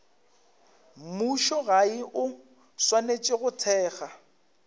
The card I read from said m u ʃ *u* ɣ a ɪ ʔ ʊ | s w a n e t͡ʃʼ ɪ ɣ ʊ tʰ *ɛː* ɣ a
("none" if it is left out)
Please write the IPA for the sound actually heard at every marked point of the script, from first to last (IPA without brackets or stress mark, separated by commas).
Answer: ɔ, ɛː